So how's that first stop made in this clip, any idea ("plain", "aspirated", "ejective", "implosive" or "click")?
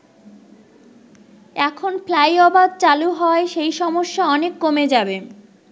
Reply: aspirated